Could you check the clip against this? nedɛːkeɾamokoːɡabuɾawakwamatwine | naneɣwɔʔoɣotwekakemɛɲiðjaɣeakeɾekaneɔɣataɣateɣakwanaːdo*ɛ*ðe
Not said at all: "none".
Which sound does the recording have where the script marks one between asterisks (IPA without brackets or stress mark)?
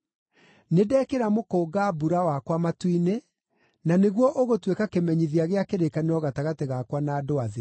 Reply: a